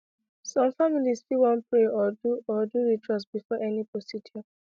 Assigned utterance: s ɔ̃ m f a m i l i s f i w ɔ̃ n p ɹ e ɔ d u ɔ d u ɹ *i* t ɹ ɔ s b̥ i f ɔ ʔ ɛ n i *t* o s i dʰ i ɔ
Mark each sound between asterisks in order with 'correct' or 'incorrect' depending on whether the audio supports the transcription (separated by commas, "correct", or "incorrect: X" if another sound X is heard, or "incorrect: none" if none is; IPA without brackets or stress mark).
correct, incorrect: p